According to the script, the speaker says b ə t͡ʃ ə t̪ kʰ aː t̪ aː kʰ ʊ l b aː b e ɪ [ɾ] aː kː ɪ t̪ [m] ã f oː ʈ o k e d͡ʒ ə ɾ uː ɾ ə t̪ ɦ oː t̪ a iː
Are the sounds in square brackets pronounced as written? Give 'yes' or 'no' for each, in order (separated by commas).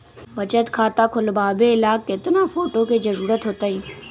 no, no